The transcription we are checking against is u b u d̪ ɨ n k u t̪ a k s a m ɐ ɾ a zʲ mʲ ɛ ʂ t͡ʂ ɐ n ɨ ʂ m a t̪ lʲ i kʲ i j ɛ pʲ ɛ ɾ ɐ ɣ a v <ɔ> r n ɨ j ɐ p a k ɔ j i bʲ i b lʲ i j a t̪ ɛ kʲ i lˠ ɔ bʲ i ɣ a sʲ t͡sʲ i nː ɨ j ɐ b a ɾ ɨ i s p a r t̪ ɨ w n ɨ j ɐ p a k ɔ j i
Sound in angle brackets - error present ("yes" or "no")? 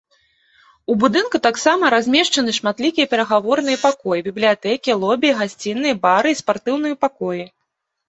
no